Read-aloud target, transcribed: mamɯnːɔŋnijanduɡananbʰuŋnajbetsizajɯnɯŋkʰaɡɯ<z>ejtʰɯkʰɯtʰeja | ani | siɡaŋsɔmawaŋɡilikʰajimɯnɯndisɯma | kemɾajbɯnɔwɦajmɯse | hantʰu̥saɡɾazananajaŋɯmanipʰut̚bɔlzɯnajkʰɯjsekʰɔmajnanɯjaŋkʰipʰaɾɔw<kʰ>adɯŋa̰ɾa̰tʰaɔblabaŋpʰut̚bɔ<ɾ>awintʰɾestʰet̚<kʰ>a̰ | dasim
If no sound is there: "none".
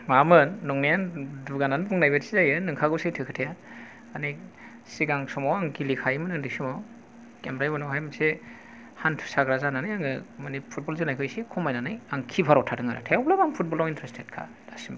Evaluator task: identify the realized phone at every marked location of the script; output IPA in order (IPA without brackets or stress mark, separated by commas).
s, tʰ, l, kʰ